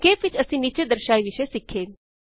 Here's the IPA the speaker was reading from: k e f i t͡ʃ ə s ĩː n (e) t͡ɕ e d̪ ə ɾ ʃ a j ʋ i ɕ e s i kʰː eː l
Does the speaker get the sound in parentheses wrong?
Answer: yes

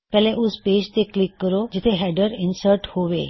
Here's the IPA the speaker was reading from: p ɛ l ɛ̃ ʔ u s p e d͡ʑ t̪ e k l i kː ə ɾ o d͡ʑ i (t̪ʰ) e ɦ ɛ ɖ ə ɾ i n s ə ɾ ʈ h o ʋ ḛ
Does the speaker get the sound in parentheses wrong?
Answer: no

